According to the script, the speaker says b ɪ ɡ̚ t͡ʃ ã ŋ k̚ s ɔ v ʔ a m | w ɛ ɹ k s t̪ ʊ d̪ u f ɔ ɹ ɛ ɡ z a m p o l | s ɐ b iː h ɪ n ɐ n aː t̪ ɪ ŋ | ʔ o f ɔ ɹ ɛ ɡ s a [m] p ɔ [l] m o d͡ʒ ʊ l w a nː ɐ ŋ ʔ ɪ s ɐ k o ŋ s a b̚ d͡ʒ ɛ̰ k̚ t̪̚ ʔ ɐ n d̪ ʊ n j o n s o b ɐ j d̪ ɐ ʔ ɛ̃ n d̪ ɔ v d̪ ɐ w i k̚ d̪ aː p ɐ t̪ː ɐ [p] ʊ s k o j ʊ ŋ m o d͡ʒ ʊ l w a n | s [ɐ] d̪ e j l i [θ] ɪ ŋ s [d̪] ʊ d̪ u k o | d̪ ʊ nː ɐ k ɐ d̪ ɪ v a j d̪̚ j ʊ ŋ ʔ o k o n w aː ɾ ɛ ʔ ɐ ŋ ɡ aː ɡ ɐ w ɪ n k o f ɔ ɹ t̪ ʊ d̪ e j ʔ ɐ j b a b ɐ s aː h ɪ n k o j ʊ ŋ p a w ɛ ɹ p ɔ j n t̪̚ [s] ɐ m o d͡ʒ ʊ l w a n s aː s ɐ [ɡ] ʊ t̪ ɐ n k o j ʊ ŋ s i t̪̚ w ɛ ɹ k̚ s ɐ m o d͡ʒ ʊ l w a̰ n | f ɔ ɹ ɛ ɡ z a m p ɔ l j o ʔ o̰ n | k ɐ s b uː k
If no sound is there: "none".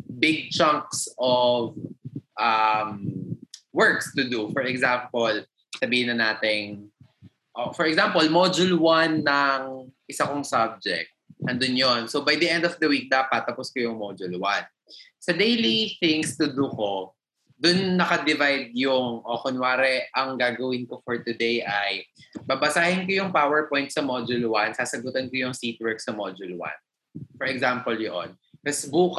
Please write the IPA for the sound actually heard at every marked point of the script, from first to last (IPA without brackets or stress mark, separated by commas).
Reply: m, l, p, ɐ, θ, t̪, s, ɡ